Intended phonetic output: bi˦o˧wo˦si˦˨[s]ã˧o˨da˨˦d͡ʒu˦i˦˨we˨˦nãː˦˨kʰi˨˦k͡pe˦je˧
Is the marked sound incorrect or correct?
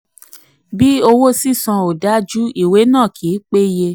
correct